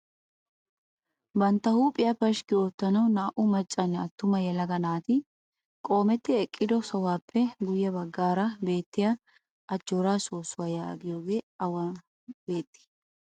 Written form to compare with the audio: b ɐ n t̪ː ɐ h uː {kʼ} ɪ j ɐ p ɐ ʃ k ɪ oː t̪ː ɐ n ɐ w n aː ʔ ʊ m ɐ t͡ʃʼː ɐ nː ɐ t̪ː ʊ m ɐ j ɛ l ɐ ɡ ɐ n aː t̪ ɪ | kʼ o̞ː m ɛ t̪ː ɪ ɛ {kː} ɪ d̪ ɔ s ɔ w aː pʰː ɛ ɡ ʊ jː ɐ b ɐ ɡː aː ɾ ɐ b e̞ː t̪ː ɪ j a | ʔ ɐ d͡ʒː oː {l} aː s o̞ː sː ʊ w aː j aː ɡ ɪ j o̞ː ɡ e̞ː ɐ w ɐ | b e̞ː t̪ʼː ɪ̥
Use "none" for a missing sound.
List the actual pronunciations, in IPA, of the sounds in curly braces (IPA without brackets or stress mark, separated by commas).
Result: pʼ, kʼː, ɾ